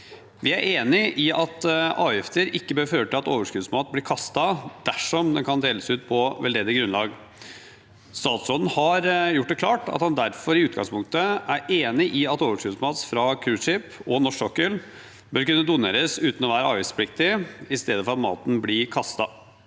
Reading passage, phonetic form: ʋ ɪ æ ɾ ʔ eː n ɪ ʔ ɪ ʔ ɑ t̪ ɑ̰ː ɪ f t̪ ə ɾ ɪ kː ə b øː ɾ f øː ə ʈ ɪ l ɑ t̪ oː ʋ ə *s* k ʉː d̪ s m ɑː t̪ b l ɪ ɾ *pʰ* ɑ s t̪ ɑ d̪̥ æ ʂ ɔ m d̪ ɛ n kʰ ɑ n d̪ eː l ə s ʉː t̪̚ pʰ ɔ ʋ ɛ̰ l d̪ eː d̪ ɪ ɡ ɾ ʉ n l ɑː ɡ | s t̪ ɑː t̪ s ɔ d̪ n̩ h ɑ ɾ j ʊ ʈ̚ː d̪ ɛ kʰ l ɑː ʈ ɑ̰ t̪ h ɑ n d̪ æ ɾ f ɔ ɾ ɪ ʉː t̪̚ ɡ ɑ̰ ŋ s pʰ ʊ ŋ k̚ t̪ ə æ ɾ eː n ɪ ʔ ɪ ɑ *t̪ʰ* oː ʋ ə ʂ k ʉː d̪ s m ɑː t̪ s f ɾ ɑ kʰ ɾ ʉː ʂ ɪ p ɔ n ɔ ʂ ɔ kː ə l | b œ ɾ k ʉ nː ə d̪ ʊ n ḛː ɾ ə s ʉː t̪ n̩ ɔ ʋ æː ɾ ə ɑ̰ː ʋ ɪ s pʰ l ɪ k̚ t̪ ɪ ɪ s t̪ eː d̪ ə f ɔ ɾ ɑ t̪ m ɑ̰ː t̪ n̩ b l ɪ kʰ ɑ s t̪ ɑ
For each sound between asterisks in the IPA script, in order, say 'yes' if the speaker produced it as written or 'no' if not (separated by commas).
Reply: no, no, no